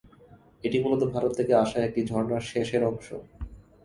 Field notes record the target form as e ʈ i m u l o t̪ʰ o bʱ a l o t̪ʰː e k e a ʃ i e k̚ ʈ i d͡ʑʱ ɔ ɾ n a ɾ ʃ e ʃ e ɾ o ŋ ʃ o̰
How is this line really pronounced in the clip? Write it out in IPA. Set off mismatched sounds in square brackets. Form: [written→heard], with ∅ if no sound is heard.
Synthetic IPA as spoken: e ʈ i m u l o [t̪ʰ→t̪] o bʱ a [l→ɾ] o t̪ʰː e k e a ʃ [i→a] e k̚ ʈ i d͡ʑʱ ɔ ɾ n a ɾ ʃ e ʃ e ɾ [o→ɔ] ŋ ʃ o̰